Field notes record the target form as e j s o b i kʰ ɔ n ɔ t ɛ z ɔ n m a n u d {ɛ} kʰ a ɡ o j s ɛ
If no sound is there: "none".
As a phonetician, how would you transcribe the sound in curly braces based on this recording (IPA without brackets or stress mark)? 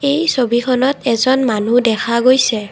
ɛ